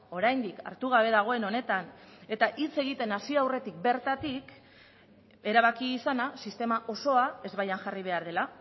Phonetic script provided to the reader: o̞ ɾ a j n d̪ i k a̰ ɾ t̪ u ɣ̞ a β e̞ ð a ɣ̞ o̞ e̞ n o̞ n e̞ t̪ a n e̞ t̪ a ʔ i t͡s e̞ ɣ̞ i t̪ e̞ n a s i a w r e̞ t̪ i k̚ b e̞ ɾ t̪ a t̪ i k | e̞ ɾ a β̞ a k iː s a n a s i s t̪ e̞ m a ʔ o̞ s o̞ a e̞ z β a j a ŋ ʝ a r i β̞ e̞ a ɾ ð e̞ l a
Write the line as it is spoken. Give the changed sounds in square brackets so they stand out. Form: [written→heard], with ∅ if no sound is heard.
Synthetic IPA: o̞ ɾ a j n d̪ i k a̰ ɾ t̪ u ɣ̞ a β e̞ ð a ɣ̞ o̞ e̞ n o̞ n e̞ t̪ a n e̞ t̪ a ʔ i t͡s e̞ ɣ̞ i t̪ e̞ n a s i a w r e̞ t̪ i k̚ b e̞ ɾ t̪ a t̪ i k | e̞ ɾ a β̞ a k iː s a n a s i s t̪ e̞ m a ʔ o̞ s o̞ a e̞ z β a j a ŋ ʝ a r i β̞ e̞ a ɾ ð e̞ l a